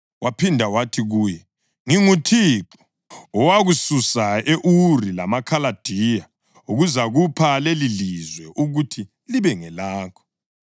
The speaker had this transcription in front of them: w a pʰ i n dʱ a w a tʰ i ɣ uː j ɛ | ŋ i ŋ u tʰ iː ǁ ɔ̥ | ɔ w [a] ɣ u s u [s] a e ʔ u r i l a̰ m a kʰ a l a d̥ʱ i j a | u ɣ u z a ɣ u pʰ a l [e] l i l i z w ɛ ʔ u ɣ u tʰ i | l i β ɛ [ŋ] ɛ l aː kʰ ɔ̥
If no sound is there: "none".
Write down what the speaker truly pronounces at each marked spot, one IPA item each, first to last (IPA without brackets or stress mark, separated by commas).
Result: a, s, e, ŋ